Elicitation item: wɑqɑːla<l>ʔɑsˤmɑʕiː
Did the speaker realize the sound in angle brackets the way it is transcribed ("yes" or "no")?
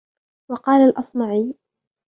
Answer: yes